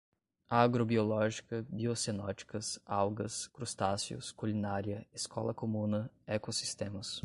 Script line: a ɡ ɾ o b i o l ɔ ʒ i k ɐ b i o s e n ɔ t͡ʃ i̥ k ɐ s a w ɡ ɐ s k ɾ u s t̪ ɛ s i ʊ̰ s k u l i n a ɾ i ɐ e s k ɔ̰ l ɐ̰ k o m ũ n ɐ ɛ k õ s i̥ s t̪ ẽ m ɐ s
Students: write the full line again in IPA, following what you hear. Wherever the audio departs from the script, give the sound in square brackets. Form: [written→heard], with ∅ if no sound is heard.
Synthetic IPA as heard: a ɡ ɾ o b i o l ɔ ʒ i k ɐ b i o s e n ɔ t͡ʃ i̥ k ɐ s a w ɡ ɐ s k ɾ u s t̪ [ɛ→a] s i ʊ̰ s k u l i n a ɾ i ɐ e s k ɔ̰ l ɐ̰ k o m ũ n ɐ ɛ k [õ→o] s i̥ s t̪ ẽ m ɐ s